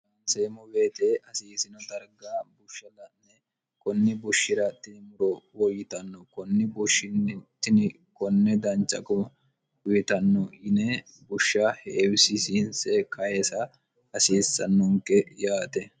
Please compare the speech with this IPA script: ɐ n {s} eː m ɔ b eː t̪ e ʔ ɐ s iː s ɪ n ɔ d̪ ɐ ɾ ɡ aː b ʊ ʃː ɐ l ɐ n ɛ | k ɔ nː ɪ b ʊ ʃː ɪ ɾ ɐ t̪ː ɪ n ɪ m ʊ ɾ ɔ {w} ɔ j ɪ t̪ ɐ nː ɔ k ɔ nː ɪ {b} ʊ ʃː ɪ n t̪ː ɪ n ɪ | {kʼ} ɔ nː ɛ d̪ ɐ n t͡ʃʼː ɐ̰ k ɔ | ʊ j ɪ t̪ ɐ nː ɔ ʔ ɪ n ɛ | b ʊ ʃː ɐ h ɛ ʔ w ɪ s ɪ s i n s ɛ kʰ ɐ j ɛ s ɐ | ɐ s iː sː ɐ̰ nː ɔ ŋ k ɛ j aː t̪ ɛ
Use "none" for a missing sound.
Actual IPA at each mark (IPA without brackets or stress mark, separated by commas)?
s, w, b, k